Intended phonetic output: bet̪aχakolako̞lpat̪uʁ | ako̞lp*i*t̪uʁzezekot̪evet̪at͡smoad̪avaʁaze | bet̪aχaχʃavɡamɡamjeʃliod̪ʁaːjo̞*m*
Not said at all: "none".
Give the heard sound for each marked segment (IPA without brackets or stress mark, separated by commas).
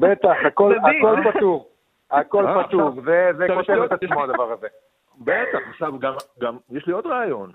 a, n